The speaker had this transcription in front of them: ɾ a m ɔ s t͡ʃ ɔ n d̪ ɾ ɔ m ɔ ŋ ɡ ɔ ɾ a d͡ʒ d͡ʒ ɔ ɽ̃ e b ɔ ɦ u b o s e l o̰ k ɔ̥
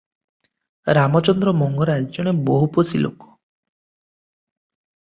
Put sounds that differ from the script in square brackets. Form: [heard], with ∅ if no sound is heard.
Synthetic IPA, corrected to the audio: ɾ a m ɔ [∅] t͡ʃ ɔ n d̪ ɾ ɔ m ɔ ŋ ɡ ɔ ɾ a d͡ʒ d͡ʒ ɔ ɽ̃ e b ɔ ɦ u [p] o s [i] l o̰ k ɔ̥